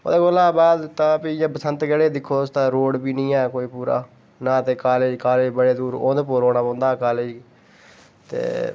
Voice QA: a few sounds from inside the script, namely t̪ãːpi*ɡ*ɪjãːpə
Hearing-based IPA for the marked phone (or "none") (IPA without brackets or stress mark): none